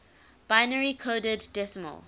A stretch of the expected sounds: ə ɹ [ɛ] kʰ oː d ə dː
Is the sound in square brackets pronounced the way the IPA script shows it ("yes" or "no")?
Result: no